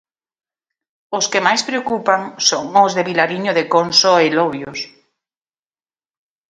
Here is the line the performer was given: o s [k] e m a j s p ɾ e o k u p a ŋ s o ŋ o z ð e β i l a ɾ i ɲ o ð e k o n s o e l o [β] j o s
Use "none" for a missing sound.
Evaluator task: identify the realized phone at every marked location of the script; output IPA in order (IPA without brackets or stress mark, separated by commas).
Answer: k, β